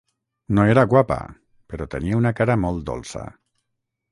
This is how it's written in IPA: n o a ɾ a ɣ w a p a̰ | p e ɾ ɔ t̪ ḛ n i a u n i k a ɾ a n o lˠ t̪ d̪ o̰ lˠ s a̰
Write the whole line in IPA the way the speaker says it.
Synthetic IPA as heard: n o e ɾ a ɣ w a p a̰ | p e ɾ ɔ t̪ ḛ n i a u n a k a ɾ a m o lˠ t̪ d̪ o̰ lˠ s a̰